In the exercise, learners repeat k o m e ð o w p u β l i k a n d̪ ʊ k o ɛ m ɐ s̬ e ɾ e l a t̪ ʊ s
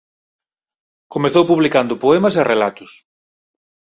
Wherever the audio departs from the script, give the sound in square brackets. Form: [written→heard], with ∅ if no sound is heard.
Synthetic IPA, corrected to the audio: k o m e [ð→θ] o w p u β l i k a n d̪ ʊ [k→p] o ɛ m ɐ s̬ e [ɾ→r] e l a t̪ ʊ s